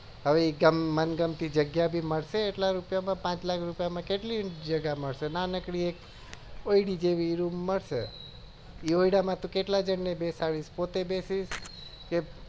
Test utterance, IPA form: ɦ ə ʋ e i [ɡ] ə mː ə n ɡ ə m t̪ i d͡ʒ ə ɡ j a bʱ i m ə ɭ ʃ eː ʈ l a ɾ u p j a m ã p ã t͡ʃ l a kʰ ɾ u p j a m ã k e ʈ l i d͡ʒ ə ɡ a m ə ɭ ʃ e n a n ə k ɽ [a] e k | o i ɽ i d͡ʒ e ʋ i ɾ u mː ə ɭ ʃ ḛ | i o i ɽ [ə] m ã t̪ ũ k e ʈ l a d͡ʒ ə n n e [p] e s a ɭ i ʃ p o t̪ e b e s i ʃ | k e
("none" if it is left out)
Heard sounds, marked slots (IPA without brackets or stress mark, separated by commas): ɡ, i, a, b